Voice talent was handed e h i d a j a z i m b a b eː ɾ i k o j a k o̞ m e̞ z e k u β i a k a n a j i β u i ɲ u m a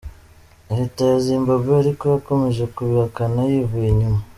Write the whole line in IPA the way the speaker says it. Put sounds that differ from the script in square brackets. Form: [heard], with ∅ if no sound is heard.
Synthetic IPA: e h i [t] a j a z i m b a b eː ɾ i k o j a k o̞ m e̞ [ʒ] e k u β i a k a n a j i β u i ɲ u m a